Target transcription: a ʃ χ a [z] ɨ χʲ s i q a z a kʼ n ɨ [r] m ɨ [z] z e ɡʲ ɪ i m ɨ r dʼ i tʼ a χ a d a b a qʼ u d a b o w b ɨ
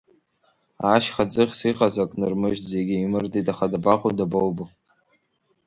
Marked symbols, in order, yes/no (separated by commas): no, yes, no